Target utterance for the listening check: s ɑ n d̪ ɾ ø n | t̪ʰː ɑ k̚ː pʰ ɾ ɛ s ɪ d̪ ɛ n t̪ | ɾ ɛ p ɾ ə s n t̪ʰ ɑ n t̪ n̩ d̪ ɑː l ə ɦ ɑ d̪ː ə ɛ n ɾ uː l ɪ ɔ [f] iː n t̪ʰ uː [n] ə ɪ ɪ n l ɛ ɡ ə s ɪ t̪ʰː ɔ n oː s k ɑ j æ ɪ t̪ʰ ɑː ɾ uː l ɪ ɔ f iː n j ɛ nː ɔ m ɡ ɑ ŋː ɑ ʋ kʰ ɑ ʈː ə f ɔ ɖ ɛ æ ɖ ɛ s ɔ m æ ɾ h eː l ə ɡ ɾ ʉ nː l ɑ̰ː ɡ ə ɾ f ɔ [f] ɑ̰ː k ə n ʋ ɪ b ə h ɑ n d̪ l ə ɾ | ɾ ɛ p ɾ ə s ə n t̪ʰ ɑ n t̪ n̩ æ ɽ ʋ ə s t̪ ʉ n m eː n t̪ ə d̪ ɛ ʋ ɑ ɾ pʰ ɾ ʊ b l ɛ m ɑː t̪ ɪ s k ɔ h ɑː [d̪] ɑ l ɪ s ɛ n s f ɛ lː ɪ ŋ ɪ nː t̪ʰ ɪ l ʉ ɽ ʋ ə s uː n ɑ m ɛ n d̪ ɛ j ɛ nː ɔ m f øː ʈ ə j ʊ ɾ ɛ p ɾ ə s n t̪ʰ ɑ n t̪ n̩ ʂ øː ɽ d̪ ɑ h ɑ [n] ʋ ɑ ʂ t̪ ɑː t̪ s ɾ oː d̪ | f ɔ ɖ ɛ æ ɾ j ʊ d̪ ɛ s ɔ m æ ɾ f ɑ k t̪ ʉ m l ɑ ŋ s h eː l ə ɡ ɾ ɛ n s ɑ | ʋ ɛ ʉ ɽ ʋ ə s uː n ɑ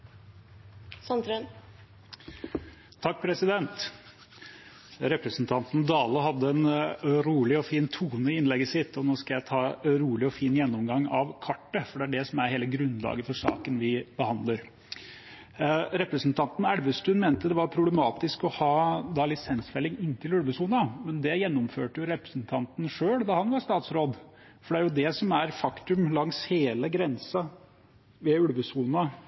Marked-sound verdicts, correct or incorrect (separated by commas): correct, correct, incorrect, correct, correct